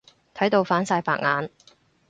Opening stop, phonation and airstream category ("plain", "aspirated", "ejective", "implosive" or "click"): aspirated